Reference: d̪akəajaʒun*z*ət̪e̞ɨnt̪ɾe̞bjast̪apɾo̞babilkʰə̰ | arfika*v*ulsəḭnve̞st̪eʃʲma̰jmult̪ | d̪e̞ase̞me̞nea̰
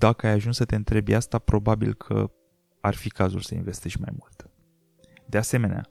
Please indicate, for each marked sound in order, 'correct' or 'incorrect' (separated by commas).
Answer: incorrect, incorrect